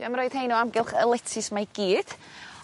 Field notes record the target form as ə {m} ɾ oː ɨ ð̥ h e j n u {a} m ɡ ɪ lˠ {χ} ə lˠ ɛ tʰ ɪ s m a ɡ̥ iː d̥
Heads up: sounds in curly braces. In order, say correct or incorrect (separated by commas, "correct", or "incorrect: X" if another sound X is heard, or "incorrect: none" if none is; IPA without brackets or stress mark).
correct, correct, correct